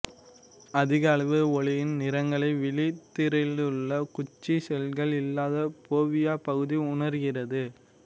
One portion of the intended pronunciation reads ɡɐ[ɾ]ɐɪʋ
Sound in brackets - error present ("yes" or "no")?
yes